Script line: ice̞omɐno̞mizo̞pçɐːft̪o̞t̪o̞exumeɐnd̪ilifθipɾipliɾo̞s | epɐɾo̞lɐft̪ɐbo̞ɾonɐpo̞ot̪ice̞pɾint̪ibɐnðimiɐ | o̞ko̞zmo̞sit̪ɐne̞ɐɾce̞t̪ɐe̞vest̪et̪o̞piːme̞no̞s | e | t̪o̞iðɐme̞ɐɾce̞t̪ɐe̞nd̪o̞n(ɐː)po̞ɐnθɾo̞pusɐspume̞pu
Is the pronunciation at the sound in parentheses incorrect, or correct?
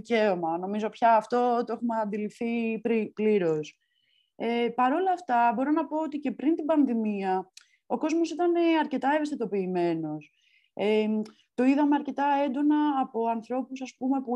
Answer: correct